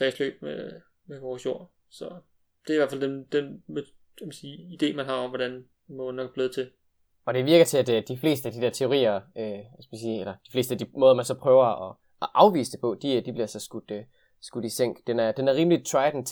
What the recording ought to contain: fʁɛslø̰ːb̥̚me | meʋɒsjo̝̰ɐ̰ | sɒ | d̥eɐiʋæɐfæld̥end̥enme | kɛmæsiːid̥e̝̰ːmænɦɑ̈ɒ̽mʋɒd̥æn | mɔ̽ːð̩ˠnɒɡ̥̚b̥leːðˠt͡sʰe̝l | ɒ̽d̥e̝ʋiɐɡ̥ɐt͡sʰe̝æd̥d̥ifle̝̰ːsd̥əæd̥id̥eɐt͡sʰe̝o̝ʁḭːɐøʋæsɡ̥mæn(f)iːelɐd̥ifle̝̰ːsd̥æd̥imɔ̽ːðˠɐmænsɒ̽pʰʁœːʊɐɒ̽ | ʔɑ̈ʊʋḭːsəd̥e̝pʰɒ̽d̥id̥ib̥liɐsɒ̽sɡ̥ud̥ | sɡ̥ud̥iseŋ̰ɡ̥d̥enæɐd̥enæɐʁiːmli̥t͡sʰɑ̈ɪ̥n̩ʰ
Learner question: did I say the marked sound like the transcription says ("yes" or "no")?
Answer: no